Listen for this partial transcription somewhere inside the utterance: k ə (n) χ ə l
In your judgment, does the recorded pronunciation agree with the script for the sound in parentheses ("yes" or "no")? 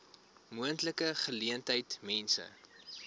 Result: no